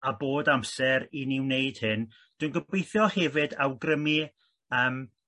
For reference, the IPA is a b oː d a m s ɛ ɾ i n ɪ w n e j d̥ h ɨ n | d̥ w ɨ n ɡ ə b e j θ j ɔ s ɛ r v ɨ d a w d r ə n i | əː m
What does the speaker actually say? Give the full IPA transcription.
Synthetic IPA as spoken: a b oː d a m s ɛ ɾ i n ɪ w n e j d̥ h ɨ n | d̥ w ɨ n ɡ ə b e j θ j ɔ h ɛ v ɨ d a w ɡ r ə m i | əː m